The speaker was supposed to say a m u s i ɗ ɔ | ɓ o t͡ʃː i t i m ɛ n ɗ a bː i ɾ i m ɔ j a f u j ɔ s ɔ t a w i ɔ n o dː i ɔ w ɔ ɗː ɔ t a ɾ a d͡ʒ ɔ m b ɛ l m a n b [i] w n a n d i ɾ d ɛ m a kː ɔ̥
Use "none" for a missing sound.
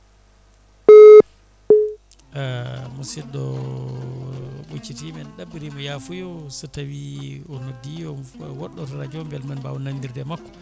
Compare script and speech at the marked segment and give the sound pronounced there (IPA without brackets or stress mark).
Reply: a